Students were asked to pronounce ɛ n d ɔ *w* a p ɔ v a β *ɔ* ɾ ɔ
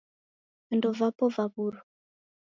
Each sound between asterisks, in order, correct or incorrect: incorrect, incorrect

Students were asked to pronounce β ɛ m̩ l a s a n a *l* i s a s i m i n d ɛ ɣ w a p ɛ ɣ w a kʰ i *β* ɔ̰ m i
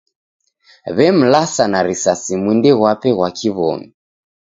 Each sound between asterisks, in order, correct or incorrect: incorrect, correct

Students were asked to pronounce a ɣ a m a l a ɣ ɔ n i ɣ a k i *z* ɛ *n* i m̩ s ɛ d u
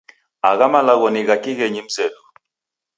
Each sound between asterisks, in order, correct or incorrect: incorrect, incorrect

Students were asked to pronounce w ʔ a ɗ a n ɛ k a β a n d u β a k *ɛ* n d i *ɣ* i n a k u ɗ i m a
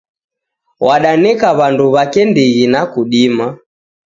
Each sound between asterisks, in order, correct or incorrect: correct, correct

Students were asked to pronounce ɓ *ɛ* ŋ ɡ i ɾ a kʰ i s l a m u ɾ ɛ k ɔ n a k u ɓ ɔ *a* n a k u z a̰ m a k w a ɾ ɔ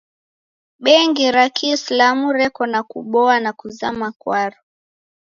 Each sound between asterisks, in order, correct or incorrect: correct, correct

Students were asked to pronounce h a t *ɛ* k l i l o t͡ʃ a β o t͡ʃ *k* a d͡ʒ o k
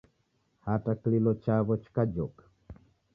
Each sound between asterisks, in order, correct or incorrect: incorrect, correct

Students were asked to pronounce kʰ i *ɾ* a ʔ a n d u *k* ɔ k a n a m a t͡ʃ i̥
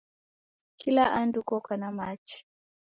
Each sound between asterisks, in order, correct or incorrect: incorrect, correct

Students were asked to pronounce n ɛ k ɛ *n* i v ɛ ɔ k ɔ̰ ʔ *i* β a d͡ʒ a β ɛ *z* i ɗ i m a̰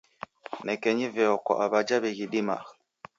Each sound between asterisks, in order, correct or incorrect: incorrect, incorrect, incorrect

